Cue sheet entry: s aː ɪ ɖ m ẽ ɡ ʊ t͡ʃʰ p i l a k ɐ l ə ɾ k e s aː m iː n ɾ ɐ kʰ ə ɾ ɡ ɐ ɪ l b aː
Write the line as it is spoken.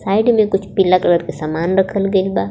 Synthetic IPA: s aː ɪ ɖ m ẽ k ʊ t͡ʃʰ p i l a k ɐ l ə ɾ k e s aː m aː n ɾ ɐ kʰ ə l ɡ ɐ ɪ l b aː